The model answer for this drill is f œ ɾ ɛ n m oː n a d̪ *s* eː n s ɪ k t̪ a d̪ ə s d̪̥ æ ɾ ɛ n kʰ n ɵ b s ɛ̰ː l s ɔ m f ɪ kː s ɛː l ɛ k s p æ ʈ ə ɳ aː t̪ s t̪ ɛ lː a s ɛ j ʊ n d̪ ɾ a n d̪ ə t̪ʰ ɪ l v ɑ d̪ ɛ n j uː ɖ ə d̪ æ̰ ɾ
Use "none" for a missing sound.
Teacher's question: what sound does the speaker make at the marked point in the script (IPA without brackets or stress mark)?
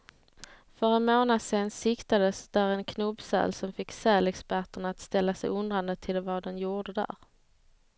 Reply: s